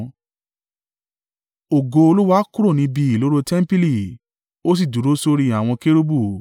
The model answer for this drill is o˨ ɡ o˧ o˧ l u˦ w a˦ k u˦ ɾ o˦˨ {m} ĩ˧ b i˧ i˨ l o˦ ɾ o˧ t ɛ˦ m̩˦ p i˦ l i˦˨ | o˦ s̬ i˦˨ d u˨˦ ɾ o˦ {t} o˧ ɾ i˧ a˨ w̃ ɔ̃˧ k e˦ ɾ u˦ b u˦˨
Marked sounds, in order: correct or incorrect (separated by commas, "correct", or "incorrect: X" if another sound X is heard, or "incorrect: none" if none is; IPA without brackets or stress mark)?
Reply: incorrect: n, incorrect: s